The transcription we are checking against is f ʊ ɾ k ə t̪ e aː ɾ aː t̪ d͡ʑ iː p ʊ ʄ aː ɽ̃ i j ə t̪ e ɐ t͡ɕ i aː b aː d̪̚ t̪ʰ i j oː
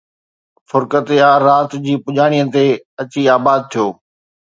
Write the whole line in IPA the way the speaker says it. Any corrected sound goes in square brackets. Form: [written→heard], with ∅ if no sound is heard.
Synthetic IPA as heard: f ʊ ɾ k ə t̪ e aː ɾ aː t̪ d͡ʑ iː p ʊ ʄ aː ɽ̃ i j ə t̪ e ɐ t͡ɕ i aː b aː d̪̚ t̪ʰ i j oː